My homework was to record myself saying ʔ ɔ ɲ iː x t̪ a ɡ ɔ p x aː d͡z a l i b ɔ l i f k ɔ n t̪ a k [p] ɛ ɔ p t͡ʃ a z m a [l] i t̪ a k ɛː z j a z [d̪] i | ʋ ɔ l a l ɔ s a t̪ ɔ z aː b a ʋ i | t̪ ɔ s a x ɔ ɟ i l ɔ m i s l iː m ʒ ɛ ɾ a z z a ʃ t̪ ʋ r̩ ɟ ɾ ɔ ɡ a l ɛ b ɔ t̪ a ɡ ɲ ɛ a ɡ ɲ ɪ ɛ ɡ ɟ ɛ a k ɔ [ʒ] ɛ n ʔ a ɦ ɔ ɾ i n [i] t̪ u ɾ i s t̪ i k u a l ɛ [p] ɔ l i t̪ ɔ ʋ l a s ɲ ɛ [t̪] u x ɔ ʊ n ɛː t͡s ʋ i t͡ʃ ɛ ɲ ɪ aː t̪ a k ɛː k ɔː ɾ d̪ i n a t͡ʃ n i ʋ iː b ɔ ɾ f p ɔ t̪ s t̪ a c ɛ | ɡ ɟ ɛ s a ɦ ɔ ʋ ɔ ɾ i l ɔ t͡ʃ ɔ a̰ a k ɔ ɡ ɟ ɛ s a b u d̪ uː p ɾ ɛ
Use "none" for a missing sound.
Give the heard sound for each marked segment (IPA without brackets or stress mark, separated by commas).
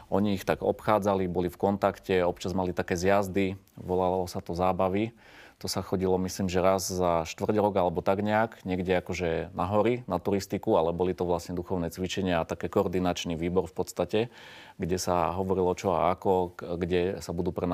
c, l, d̪, ʒ, a, b, d̪